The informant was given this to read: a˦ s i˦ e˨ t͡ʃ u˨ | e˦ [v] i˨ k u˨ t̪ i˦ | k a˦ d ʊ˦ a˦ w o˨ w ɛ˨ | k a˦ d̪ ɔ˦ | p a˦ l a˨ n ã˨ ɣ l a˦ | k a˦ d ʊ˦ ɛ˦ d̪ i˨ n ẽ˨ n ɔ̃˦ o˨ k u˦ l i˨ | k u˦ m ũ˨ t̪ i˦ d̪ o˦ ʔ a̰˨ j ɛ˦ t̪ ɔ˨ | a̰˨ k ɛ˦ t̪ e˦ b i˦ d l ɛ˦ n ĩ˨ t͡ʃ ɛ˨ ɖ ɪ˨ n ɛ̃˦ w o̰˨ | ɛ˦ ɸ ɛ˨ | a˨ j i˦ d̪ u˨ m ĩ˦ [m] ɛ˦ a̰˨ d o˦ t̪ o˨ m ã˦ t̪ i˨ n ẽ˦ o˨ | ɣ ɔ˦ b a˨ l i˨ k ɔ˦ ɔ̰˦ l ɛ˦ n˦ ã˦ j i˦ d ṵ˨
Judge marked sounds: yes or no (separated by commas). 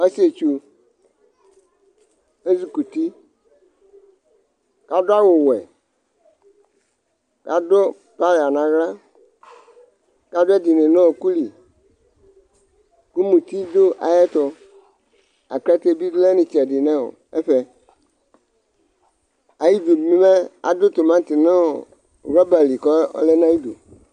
no, yes